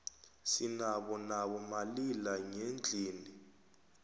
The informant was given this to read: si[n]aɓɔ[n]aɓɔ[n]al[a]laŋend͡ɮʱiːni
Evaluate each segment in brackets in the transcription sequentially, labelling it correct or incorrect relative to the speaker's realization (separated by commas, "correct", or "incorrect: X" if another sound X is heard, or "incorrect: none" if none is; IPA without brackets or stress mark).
correct, correct, incorrect: m, incorrect: i